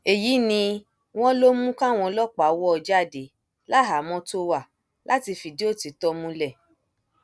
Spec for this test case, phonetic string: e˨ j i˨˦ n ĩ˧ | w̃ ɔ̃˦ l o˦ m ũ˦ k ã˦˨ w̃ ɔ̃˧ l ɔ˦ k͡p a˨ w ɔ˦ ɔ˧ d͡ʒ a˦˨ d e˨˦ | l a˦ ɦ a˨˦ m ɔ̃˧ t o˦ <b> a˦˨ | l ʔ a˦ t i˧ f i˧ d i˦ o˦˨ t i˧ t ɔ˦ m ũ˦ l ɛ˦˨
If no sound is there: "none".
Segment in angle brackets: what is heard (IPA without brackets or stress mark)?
w